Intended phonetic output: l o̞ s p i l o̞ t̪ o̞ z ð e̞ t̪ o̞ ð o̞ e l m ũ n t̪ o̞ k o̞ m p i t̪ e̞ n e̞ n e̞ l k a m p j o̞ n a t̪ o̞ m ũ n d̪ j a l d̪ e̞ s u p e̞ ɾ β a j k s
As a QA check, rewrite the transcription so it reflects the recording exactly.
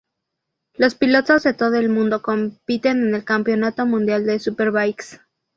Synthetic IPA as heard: l o̞ s p i l o̞ t̪ o̞ z ð e̞ t̪ o̞ ð o̞ e l m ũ n d̪ o̞ k o̞ m p i t̪ e̞ n e̞ n e̞ l k a m p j o̞ n a t̪ o̞ m ũ n d̪ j a l d̪ e̞ s u p e̞ ɾ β a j k s